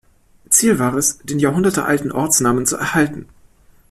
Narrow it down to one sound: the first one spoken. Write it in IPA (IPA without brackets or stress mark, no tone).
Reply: t͡s